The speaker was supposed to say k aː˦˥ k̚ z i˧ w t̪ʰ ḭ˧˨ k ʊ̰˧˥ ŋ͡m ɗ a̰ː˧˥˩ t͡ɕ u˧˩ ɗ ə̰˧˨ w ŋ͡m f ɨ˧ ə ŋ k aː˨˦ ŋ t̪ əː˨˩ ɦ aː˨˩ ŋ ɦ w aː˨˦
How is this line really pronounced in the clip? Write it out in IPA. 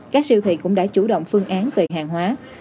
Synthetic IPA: k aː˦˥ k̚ s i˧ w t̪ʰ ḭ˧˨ k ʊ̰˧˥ ŋ͡m ɗ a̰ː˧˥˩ t͡ɕ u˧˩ ɗ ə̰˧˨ w ŋ͡m f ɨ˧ ə ŋ ʔ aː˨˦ n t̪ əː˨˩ ɦ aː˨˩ ŋ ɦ w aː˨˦